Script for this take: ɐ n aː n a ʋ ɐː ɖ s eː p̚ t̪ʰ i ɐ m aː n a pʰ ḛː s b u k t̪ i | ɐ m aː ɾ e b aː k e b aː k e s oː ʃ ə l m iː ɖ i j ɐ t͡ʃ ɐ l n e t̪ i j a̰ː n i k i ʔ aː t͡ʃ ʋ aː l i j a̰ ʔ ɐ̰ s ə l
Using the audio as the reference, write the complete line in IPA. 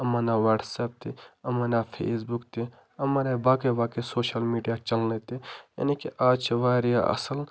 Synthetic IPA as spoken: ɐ m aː n a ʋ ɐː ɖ s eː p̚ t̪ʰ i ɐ m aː n a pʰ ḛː s b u k t̪ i | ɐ m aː ɾ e b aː k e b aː k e s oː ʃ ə l m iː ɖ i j a t͡ʃ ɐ l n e t̪ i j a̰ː n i k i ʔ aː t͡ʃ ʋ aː ɾ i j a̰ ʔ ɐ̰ s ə l